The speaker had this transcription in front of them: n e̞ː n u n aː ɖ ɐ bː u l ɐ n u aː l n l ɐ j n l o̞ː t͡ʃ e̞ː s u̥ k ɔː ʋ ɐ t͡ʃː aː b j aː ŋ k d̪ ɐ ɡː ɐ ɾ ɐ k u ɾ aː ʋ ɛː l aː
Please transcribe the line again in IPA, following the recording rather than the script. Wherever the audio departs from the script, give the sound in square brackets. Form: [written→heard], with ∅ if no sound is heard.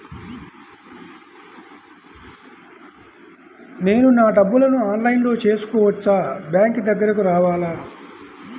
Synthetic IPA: n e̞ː n u n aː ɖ ɐ bː u l ɐ n u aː [l→∅] n l ɐ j n l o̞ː t͡ʃ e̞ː s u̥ k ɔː ʋ ɐ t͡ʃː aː b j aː ŋ k d̪ ɐ ɡː ɐ ɾ ɐ k u ɾ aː ʋ [ɛː→aː] l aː

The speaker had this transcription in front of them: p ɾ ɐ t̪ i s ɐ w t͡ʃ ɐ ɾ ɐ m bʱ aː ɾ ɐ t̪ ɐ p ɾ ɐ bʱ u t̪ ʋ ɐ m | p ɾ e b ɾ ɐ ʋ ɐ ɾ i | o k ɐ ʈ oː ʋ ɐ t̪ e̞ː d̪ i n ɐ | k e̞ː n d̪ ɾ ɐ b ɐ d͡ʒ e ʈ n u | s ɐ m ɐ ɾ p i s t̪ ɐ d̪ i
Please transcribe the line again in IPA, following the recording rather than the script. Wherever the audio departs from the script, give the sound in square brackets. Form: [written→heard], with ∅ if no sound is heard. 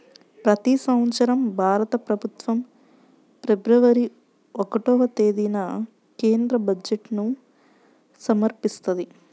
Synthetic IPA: p ɾ ɐ t̪ i s ɐ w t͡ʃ ɐ ɾ ɐ m bʱ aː ɾ ɐ t̪ ɐ p ɾ ɐ bʱ u t̪ ʋ ɐ m | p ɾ e b ɾ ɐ ʋ ɐ ɾ i | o k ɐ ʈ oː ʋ ɐ t̪ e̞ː d̪ i n ɐ | k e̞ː n d̪ ɾ ɐ b ɐ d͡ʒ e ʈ n u | s ɐ m ɐ ɾ p i s t̪ ɐ d̪ i

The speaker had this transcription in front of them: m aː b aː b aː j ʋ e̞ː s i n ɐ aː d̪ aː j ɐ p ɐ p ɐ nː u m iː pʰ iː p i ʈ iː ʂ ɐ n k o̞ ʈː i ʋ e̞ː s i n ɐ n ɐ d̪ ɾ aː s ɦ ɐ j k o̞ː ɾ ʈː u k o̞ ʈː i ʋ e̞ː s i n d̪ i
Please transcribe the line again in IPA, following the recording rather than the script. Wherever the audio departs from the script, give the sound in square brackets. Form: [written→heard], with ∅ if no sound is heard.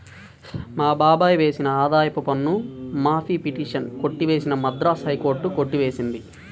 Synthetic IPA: m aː b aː b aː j ʋ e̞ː s i n ɐ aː d̪ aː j ɐ p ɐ p ɐ nː u m [iː→aː] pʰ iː p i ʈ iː ʂ ɐ n k o̞ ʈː i ʋ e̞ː s i n ɐ [n→m] ɐ d̪ ɾ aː s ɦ ɐ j k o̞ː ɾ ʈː u k o̞ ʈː i ʋ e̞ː s i n d̪ i

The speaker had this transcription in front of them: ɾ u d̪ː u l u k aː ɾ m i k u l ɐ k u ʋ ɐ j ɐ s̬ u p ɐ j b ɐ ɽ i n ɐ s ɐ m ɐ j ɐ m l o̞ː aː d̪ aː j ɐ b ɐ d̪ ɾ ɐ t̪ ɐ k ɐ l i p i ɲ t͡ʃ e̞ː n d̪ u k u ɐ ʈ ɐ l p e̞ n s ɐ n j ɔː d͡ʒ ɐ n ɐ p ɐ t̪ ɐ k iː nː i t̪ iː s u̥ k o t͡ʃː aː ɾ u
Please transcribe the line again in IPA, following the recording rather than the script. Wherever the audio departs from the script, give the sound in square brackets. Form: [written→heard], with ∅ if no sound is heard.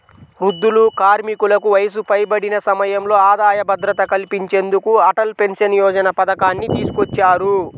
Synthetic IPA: ɾ u d̪ː u l u k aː ɾ m i k u l ɐ k u ʋ ɐ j ɐ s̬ u p ɐ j b ɐ ɽ i n ɐ s ɐ m ɐ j ɐ m l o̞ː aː d̪ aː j ɐ b ɐ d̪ ɾ ɐ t̪ ɐ k ɐ l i p i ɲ t͡ʃ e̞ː n d̪ u k u ɐ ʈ ɐ l p e̞ n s ɐ n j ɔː d͡ʒ ɐ n ɐ p ɐ [t̪→d̪] ɐ k [iː→aː] nː i t̪ iː s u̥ k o t͡ʃː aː ɾ u

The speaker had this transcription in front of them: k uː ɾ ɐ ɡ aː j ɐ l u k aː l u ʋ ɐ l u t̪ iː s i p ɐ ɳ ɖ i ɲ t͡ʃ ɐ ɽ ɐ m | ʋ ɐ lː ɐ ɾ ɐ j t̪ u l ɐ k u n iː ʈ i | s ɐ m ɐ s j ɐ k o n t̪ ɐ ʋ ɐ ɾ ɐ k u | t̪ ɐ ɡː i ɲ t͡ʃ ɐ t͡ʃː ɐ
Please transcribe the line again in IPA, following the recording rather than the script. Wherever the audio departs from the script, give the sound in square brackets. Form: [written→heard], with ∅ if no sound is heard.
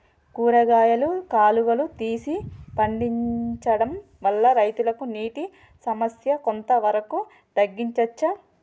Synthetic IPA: k uː ɾ ɐ ɡ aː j ɐ l u k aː l u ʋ ɐ l u t̪ iː s i p ɐ ɳ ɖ i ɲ t͡ʃ ɐ ɽ ɐ m | ʋ ɐ lː ɐ ɾ ɐ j t̪ u l ɐ k u n iː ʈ i | s ɐ m ɐ s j ɐ k o n t̪ ɐ ʋ ɐ ɾ ɐ k u | t̪ ɐ ɡː i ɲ t͡ʃ ɐ t͡ʃː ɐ

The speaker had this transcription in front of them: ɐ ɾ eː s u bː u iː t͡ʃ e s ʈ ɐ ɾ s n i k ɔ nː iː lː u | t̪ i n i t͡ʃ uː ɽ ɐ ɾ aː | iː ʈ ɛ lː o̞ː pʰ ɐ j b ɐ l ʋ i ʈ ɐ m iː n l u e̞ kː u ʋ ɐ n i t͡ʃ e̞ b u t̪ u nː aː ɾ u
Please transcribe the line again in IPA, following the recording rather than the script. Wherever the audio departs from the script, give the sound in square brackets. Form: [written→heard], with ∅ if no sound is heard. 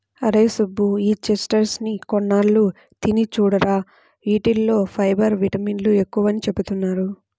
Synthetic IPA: ɐ ɾ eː s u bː u iː t͡ʃ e s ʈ ɐ ɾ s n i k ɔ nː [iː→aː] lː u | t̪ i n i t͡ʃ uː ɽ ɐ ɾ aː | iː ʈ [ɛ→i] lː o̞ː pʰ ɐ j b ɐ [l→ɾ] ʋ i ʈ ɐ m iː n l u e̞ kː u ʋ ɐ n i t͡ʃ e̞ b u t̪ u nː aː ɾ u

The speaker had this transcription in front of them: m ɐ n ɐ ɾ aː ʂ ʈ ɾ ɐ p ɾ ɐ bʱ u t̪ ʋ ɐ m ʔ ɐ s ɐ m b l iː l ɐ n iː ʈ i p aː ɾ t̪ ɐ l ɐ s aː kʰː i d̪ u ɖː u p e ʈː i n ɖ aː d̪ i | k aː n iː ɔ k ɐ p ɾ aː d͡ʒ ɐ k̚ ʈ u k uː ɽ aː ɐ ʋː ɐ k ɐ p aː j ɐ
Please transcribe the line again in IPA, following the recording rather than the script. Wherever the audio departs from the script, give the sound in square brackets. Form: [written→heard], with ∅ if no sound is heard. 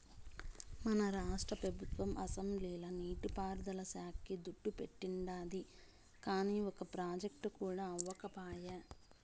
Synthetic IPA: m ɐ n ɐ ɾ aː ʂ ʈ ɾ ɐ p ɾ ɐ bʱ u t̪ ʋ ɐ m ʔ ɐ s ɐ m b l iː l ɐ n iː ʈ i p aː ɾ [t̪→d̪] ɐ l ɐ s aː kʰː i d̪ u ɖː u p e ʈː i [n→ɳ] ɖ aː d̪ i | k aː n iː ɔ k ɐ p ɾ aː d͡ʒ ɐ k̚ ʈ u k uː ɽ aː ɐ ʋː ɐ k ɐ p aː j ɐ

